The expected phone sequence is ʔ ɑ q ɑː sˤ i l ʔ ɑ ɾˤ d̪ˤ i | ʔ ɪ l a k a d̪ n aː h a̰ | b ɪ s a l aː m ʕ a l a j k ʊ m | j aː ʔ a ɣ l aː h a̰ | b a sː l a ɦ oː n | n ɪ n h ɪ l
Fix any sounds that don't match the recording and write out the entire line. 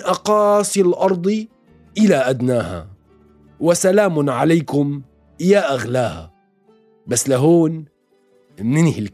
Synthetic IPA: ʔ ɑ q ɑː sˤ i l ʔ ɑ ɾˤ d̪ˤ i | ʔ ɪ l a ʔ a d̪ n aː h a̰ | w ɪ s a l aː m ʕ a l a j k ʊ m | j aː ʔ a ɣ l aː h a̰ | b a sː l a ɦ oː n | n ɪ n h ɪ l